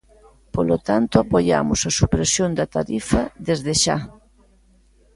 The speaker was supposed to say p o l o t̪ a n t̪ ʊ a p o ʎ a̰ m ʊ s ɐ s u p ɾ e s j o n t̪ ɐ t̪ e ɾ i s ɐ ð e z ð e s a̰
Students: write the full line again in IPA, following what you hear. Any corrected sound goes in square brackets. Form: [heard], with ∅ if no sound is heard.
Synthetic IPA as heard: p o l o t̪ a n t̪ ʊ a p o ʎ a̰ m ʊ s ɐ s u p ɾ e s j o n [d̪] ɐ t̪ [a] ɾ i [f] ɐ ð e z ð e [ʃ] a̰